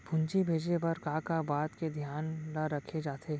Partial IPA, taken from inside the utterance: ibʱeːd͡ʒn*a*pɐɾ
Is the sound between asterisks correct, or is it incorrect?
incorrect